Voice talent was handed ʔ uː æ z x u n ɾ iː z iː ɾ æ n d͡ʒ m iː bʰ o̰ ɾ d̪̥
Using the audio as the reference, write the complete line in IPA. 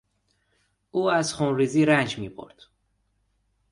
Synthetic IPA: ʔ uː æ z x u n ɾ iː z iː ɾ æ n d͡ʒ m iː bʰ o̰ ɾ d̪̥